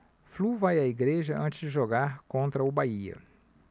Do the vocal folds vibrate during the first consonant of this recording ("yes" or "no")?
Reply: no